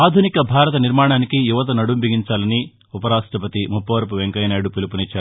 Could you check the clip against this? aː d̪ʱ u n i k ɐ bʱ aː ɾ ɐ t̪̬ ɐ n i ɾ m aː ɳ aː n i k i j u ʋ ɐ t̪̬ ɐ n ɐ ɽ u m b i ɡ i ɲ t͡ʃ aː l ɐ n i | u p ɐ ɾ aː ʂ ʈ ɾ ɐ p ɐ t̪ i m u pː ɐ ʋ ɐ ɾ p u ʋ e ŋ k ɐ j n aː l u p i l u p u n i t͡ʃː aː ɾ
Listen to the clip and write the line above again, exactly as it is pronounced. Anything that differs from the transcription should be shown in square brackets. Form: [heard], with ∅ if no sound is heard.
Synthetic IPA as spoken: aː d̪ʱ u n i k ɐ bʱ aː ɾ ɐ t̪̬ ɐ n i ɾ m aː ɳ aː n i k i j u ʋ ɐ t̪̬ ɐ n ɐ ɽ u m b i ɡ i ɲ t͡ʃ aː l ɐ n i | u p ɐ ɾ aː ʂ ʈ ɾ ɐ p ɐ t̪ i m u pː ɐ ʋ ɐ ɾ p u ʋ e ŋ k ɐ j n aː [ɽ] u p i l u p u n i t͡ʃː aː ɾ